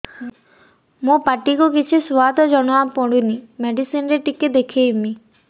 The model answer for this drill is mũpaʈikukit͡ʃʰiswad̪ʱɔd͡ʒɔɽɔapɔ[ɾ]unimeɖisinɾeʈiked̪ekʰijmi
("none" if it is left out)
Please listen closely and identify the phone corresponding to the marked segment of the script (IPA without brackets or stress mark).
ɽ